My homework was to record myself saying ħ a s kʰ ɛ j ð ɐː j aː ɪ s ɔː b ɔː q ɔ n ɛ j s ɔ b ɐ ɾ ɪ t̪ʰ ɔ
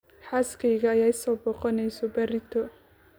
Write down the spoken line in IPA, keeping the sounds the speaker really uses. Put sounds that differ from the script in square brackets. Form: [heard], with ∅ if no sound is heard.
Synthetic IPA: ħ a s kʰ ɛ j [ɣ] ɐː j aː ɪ s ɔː b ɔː q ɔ n ɛ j s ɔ b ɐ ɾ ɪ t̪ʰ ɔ